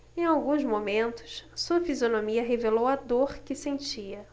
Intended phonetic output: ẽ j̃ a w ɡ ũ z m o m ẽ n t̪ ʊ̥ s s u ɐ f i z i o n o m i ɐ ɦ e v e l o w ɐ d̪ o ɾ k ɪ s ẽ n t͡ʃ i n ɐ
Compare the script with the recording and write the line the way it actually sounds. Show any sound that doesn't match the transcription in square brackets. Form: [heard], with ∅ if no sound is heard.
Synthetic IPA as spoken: ẽ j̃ a w ɡ ũ z m o m ẽ n t̪ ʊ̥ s s u ɐ f i z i o n o m i ɐ ɦ e v e l o w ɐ d̪ o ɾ k ɪ s ẽ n t͡ʃ i [∅] ɐ

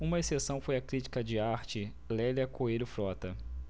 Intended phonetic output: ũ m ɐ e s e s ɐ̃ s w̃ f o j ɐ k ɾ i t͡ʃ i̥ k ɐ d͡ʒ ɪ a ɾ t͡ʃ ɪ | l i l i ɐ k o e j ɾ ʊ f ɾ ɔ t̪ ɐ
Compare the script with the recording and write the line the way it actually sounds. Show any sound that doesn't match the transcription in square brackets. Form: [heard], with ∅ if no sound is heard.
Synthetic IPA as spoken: ũ m ɐ e s e s ɐ̃ [∅] w̃ f o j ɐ k ɾ i t͡ʃ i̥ k ɐ d͡ʒ ɪ a ɾ t͡ʃ ɪ | l [ɛ] l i ɐ k o e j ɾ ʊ f ɾ ɔ t̪ ɐ

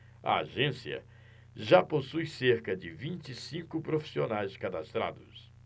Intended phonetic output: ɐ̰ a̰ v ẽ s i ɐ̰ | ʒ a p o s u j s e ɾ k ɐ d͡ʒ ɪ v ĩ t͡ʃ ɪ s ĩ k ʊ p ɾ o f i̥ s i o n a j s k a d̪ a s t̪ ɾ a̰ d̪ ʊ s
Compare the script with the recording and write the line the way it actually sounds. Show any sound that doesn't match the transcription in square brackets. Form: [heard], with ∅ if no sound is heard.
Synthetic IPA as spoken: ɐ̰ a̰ [ʒ] ẽ s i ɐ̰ | ʒ a p o s u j s e ɾ k ɐ d͡ʒ ɪ v ĩ t͡ʃ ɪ s ĩ k ʊ p ɾ o f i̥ s i o n a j s k a d̪ a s t̪ ɾ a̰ d̪ ʊ s

